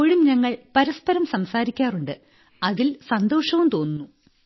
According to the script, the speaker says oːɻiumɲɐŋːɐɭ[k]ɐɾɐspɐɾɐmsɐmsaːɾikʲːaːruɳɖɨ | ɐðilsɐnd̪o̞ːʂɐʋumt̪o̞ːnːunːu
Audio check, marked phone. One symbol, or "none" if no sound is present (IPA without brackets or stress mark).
p